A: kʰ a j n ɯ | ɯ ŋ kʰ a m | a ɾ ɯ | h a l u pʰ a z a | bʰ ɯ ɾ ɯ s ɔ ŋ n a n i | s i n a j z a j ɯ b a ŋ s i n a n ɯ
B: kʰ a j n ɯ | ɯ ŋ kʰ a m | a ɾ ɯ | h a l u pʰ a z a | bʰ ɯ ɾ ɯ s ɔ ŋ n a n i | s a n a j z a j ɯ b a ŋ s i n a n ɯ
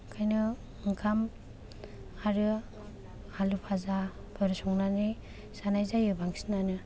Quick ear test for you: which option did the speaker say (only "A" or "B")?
B